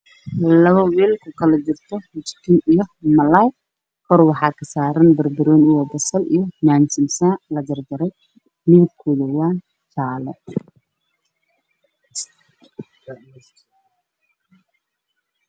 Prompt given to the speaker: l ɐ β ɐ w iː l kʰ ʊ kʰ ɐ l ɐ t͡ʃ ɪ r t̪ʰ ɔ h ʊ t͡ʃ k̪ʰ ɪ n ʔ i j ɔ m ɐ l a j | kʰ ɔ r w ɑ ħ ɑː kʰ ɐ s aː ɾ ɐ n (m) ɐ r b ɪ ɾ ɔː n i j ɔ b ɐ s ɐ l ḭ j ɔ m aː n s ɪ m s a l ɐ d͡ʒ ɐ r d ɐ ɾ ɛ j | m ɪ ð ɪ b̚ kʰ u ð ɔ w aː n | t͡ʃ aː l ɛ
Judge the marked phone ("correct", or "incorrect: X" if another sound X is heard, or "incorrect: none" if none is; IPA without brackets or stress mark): incorrect: b